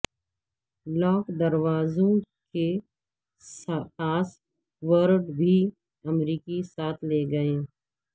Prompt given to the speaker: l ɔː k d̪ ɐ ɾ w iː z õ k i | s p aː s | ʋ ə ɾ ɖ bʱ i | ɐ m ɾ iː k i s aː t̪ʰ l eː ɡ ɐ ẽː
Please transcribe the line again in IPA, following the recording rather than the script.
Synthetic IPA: l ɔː k d̪ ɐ ɾ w aː z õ k e | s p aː s | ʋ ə ɾ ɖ bʱ i | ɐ m ɾ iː k i s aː t̪ʰ l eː ɡ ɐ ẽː

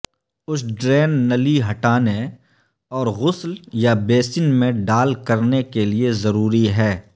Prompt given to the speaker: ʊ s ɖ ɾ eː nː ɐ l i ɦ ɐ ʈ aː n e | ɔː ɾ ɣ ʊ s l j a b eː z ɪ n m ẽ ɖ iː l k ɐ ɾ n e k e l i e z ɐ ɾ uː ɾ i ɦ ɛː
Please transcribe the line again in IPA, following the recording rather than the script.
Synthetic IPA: ʊ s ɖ ɾ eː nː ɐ l i ɦ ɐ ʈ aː n e | ɔː ɾ ɣ ʊ s l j a b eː s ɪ n m ẽ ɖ aː l k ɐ ɾ n e k e l i e z ɐ ɾ uː ɾ i ɦ ɛː

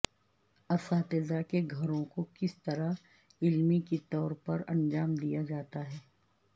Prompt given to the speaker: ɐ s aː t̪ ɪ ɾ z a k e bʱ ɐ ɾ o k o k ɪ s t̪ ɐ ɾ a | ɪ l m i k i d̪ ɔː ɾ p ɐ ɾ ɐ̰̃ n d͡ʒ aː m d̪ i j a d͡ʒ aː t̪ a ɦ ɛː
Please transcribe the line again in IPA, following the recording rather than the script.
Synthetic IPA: ɐ s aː t̪ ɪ z a k e ɡʱ ɐ ɾ õ k o k ɪ s t̪ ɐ ɾ a | ɪ l m i k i t̪ ɔː ɾ p ɐ ɾ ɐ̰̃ n d͡ʒ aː m d̪ i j a d͡ʒ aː t̪ a ɦ ɛː

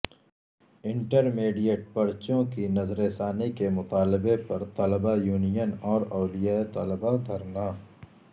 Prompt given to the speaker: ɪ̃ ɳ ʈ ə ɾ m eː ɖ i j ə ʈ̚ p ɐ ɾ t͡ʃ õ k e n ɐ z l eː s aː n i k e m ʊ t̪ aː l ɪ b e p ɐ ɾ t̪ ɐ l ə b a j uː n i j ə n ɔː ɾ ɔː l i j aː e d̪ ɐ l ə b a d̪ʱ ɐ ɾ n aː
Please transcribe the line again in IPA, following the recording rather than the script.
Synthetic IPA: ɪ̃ ɳ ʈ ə ɾ m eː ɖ i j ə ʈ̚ p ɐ ɾ t͡ʃ õ k i n ɐ z ɾ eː s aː n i k e m ʊ t̪ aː l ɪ b e p ɐ ɾ t̪ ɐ l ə b a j uː n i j ə n ɔː ɾ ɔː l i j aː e t̪ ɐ l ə b a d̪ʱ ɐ ɾ n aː

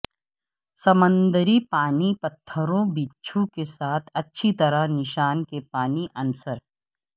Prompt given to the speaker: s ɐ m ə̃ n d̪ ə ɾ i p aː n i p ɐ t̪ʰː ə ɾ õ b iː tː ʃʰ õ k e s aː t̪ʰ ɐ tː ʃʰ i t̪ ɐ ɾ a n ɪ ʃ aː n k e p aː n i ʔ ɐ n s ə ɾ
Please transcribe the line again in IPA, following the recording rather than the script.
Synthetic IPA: s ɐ m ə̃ n d̪ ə ɾ i p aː n i p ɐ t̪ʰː ə ɾ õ b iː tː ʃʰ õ k e s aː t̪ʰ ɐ tː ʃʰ i t̪ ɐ ɾ a n ɪ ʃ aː n k e p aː n i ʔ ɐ n s ə ɾ

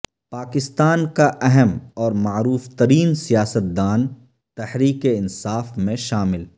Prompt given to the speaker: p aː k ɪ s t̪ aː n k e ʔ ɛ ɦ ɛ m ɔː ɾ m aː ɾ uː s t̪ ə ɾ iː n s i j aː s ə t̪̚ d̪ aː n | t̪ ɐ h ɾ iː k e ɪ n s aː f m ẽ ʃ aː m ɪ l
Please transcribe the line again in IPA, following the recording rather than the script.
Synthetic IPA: p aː k ɪ s t̪ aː n k a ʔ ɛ ɦ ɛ m ɔː ɾ m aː ɾ uː f t̪ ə ɾ iː n s i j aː s ə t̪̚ d̪ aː n | t̪ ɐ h ɾ iː k e ɪ n s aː f m ẽ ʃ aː m ɪ l

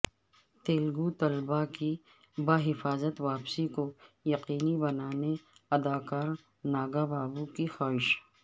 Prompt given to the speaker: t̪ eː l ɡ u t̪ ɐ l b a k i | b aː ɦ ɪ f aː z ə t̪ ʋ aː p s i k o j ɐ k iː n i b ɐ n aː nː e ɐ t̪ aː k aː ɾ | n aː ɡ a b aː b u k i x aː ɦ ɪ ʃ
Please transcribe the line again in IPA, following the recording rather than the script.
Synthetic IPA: t̪ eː l ɡ u t̪ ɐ l b a k i | b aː ɦ ɪ f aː z ə t̪ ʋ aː p s i k o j ɐ q iː n i b ɐ n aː n e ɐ d̪ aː k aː ɾ | n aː ɡ a b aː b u k i x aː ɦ ɪ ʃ

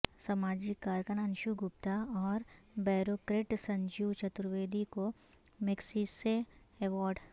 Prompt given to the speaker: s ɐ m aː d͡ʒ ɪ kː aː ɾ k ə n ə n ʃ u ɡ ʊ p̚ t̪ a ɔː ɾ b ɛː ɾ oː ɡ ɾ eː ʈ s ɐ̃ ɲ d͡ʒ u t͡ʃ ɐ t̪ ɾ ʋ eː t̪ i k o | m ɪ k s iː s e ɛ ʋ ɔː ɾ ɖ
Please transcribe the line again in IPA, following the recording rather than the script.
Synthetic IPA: s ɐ m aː d͡ʒ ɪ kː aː ɾ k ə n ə n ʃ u ɡ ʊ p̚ t̪ a ɔː ɾ b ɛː ɾ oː k ɾ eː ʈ s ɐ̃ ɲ d͡ʒ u t͡ʃ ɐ t̪ ɾ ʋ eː d̪ i k o | m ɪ k s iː s e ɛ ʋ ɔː ɾ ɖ

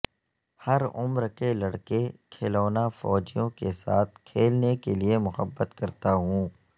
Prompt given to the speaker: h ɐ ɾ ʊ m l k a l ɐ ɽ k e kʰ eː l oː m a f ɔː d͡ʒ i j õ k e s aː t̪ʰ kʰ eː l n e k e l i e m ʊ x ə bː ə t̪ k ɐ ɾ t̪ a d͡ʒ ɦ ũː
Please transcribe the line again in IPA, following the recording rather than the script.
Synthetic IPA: h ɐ ɾ ʊ m ɾ k e l ɐ ɽ k e kʰ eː l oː n a f ɔː d͡ʒ i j õ k e s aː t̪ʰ kʰ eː l n e k e l i e m ʊ x ə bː ə t̪ k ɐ ɾ t̪ a ɦ ũː

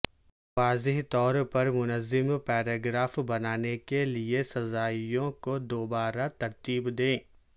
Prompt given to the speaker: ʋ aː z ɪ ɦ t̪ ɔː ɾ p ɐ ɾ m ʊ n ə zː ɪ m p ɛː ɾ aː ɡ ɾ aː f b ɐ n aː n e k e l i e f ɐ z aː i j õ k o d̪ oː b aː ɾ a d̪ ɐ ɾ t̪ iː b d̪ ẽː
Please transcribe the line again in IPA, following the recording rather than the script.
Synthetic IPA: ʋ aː z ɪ ɦ t̪ ɔː ɾ p ɐ ɾ m ʊ n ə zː ɪ m p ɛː ɾ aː ɡ ɾ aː f b ɐ n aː n e k e l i e s ɐ z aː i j õ k o d̪ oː b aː ɾ a t̪ ɐ ɾ t̪ iː b d̪ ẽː

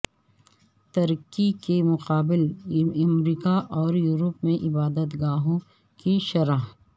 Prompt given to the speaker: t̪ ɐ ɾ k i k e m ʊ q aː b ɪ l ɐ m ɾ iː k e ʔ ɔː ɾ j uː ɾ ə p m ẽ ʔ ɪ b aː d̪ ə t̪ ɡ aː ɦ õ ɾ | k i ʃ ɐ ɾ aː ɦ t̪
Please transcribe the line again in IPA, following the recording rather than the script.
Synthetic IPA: t̪ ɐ ɾ k i k e m ʊ q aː b ɪ l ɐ m ɾ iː k a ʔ ɔː ɾ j uː ɾ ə p m ẽ ʔ ɪ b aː d̪ ə t̪ ɡ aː ɦ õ | k i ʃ ɐ ɾ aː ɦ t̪

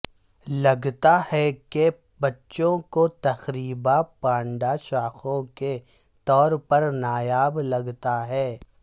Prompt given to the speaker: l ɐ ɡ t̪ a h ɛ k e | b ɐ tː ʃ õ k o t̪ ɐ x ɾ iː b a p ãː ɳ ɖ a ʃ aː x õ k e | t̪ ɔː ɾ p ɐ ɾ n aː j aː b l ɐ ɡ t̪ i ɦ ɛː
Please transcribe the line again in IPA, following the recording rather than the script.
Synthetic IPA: l ɐ ɡ t̪ a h ɛ k e | b ɐ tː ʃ õ k o t̪ ɐ x ɾ iː b a p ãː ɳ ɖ a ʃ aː x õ k e | t̪ ɔː ɾ p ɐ ɾ n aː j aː b l ɐ ɡ t̪ a ɦ ɛː

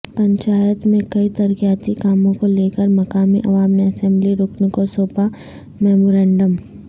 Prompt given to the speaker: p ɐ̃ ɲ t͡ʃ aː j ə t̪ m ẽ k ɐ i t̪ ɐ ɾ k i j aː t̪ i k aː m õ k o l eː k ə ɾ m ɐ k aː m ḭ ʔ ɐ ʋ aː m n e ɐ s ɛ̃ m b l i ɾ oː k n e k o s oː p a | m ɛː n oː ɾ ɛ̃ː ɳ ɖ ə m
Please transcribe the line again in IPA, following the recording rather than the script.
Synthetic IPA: p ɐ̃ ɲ t͡ʃ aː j ə t̪ m ẽ k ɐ i t̪ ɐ ɾ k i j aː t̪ i k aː m õ k o l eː k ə ɾ m ɐ k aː m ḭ ʔ ɐ ʋ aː m n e ɐ s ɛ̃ m b l i ɾ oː k n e k o s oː p a | m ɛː m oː ɾ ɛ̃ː ɳ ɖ ə m

